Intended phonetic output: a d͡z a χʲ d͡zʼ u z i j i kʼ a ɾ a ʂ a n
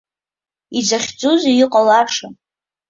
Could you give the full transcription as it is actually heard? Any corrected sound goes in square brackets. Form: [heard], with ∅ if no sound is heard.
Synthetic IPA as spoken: [i] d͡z a χʲ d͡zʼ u z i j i [qʼ] a [l] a ʂ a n